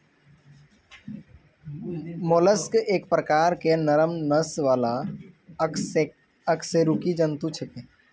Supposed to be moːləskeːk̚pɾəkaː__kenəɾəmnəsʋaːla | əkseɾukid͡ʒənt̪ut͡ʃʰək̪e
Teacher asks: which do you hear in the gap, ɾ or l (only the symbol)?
ɾ